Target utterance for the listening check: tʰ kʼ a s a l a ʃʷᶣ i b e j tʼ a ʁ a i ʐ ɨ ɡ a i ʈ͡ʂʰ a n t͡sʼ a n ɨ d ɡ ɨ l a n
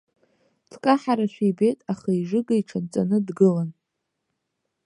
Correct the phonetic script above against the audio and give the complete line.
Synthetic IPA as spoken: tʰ kʼ a ħ a ɾ a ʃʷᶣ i b e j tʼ a χ a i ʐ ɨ ɡ a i ʈ͡ʂʰ a n t͡sʼ a n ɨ d ɡ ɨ l a n